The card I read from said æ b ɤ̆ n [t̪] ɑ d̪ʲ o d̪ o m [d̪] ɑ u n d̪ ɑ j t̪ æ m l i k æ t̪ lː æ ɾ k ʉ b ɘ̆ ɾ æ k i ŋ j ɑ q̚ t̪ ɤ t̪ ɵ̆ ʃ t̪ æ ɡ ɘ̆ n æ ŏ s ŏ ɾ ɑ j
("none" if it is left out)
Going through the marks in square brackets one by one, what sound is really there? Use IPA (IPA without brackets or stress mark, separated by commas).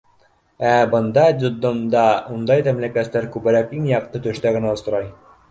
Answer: d̪, d̪